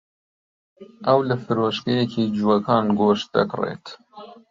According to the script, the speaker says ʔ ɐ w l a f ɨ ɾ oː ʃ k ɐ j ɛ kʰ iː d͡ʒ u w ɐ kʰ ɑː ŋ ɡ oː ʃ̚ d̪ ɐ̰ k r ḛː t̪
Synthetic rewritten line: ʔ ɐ w l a f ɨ ɾ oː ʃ k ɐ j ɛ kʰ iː d͡ʒ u w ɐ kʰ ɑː n ɡ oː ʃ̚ d̪ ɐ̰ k r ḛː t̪